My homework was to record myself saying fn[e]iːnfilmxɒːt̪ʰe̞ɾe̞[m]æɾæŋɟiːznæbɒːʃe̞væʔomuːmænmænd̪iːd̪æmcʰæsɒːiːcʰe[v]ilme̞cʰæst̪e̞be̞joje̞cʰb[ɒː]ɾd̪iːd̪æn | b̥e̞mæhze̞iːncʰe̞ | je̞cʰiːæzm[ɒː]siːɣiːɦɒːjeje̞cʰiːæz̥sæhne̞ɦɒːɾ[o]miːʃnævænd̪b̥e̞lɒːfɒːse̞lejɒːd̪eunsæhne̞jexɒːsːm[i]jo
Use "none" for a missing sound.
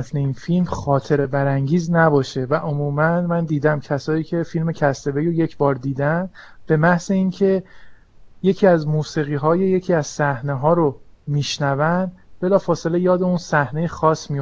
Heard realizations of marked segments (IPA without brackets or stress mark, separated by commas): e, b, f, ɒː, uː, o, i